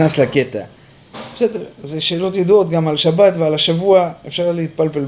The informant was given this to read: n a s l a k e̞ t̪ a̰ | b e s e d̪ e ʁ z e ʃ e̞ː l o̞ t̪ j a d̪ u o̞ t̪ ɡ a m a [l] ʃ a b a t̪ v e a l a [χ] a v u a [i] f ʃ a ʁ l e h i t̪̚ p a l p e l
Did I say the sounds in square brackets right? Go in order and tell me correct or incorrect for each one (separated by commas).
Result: correct, incorrect, incorrect